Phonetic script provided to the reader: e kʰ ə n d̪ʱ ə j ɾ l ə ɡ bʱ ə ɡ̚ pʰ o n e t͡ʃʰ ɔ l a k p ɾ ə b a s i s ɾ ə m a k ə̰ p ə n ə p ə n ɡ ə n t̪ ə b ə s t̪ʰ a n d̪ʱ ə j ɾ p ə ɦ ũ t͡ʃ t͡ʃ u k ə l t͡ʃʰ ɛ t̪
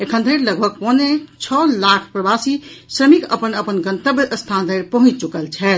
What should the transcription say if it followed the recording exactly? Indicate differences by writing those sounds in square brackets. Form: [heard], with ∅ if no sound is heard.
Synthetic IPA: e kʰ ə n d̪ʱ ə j ɾ l ə ɡ bʱ ə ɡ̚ [p] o n e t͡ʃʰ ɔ l a [kʰ] p ɾ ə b a s i s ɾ ə m [i] k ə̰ p ə n ə p ə n ɡ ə n t̪ ə b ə s t̪ʰ a n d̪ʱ ə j ɾ p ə ɦ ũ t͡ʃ t͡ʃ u k ə l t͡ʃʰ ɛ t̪